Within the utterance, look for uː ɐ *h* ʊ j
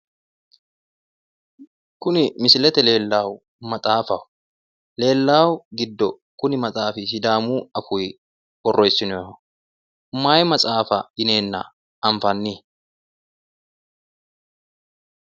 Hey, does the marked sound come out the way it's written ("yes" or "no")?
no